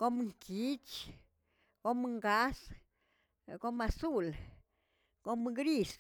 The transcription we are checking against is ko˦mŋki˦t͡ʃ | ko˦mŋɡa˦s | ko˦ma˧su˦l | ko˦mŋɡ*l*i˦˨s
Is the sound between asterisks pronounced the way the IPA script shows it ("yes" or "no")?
no